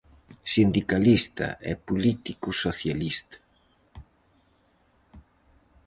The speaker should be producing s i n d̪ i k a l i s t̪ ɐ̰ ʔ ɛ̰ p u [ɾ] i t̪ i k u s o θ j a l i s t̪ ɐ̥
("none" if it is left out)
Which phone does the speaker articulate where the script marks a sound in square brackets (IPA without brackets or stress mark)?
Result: l